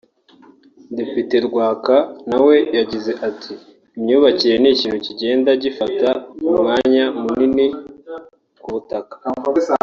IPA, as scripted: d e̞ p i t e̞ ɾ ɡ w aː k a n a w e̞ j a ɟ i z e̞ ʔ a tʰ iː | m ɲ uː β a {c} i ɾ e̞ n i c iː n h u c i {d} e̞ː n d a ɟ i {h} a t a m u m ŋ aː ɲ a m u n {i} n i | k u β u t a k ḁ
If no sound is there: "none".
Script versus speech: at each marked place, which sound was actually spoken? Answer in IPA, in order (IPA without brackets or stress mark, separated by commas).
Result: c, ɟ, f, i